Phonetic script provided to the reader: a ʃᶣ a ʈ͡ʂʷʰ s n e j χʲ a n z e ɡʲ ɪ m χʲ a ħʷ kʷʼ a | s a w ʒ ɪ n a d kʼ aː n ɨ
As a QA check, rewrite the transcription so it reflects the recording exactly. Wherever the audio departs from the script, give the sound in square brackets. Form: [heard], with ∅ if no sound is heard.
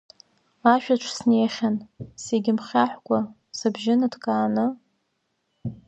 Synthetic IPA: a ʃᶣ a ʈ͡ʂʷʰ s n e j χʲ a n [s] e ɡʲ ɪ m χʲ a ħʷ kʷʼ a | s a [b] ʒ ɪ n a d kʼ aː n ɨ